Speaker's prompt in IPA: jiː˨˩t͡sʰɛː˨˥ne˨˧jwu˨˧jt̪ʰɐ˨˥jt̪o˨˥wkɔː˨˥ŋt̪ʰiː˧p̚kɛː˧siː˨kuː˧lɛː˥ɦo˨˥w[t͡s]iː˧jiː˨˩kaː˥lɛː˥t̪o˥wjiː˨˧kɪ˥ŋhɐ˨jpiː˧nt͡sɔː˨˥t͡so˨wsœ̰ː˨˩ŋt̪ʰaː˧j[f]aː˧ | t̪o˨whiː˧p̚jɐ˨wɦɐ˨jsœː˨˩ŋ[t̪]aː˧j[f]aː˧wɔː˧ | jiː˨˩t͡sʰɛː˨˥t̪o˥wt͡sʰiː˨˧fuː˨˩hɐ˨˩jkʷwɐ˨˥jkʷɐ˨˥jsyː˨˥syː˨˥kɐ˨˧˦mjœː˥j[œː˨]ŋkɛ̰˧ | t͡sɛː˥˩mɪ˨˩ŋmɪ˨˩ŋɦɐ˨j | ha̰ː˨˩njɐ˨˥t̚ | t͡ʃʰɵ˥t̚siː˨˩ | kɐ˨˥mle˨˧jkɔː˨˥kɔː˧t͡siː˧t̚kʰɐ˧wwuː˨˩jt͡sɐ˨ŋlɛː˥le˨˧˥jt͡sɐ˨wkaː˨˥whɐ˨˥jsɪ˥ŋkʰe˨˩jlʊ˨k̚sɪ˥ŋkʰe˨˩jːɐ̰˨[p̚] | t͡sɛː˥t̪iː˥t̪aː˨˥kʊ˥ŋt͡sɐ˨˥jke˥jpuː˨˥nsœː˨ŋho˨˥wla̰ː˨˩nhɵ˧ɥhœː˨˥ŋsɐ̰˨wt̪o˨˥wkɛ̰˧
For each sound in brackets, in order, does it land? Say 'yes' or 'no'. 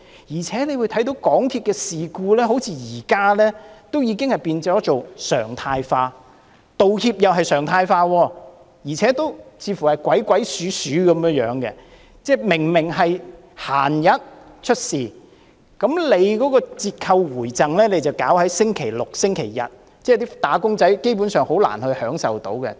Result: no, yes, no, yes, no, no

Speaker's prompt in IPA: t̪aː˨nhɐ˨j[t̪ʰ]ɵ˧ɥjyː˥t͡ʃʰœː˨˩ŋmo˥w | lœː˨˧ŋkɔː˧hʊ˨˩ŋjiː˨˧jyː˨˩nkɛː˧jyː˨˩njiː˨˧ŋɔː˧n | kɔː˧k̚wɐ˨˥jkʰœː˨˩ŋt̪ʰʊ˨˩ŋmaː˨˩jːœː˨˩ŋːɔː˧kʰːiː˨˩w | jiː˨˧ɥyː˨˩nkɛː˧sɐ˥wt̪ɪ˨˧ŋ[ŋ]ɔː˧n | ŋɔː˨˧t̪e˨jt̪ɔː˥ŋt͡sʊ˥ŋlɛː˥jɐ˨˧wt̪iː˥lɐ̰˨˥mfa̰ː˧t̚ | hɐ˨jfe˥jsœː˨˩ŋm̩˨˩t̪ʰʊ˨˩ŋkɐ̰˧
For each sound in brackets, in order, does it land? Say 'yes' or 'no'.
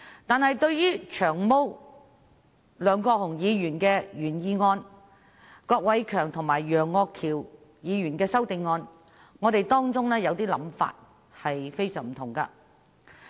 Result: no, yes

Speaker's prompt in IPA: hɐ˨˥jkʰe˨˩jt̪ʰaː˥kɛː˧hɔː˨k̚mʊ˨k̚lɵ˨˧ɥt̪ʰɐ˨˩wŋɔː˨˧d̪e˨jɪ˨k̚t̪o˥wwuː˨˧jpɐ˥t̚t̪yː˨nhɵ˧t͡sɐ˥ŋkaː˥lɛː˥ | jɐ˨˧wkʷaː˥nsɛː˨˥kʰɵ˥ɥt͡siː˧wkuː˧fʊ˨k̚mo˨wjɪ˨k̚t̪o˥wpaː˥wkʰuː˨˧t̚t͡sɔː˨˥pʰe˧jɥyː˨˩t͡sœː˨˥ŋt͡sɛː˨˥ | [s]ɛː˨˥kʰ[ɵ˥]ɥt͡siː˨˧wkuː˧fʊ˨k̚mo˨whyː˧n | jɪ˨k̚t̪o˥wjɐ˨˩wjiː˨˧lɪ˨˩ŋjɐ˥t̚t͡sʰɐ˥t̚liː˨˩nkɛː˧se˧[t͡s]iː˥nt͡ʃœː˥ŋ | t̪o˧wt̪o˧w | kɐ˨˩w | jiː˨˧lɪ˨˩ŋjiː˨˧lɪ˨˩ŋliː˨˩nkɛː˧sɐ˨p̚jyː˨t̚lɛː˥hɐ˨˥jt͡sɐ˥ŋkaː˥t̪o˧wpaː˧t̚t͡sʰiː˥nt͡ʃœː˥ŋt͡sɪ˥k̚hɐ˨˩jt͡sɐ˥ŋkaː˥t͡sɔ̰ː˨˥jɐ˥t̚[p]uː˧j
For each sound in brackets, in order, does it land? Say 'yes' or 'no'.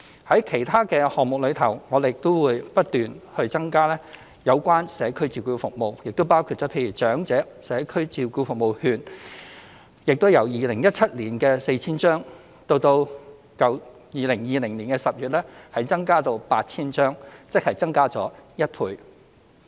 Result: yes, yes, no, no

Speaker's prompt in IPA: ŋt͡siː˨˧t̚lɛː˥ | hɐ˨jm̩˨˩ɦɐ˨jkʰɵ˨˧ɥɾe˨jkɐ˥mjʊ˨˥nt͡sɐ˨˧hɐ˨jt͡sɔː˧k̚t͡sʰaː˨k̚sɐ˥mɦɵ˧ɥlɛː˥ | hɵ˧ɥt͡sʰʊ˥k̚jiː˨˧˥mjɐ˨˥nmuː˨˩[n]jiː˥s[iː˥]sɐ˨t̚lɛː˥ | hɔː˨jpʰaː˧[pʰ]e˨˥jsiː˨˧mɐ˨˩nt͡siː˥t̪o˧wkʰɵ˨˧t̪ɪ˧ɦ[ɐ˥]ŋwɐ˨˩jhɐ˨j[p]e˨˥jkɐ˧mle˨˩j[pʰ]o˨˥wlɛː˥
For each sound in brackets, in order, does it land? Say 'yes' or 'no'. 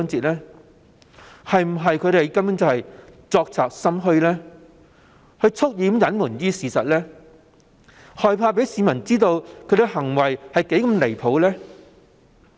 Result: yes, no, no, no, no, yes

